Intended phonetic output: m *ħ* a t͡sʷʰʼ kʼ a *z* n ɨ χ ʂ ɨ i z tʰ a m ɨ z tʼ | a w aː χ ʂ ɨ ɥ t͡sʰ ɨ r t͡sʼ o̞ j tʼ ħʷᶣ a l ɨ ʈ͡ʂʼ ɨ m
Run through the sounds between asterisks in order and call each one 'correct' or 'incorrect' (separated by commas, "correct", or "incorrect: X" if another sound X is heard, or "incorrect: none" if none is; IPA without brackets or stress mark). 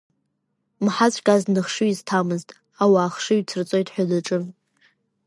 correct, correct